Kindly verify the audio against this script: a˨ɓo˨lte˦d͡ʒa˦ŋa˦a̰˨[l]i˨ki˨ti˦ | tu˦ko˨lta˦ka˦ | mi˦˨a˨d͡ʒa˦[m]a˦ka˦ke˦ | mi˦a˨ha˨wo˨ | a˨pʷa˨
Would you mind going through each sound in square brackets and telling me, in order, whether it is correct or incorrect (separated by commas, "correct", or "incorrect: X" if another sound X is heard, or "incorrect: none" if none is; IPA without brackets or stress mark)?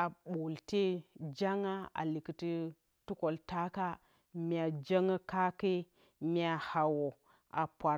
correct, incorrect: ŋ